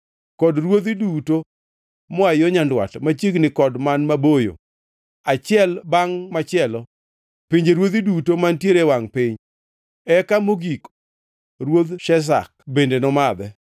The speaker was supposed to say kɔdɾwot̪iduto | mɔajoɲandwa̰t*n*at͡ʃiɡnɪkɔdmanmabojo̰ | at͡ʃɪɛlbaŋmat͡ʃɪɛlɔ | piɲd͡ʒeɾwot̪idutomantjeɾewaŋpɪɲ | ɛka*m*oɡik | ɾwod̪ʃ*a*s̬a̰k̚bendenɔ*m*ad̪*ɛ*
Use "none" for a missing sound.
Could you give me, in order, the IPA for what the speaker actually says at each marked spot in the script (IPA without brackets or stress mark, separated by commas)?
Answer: m, m, ɛ, m, ɛ